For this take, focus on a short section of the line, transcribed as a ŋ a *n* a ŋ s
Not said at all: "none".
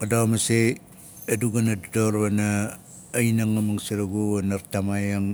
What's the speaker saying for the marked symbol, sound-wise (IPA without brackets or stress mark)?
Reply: m